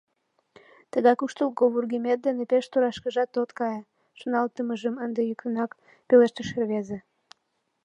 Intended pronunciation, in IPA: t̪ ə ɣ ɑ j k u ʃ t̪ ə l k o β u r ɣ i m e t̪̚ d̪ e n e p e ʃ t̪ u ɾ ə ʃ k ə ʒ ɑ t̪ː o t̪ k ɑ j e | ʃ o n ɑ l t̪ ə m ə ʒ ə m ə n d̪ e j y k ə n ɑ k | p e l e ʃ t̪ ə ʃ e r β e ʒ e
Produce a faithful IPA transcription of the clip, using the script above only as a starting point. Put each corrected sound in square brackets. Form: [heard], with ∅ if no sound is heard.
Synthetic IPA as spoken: t̪ ə ɣ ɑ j k u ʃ t̪ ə l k o β u r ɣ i m e t̪̚ d̪ e n e p e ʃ t̪ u ɾ [ɑ] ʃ k ə ʒ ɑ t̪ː o t̪ k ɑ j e | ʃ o n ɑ l t̪ ə m ə ʒ ə m ə n d̪ e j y k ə n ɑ k | p e l e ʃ t̪ ə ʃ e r β e [z] e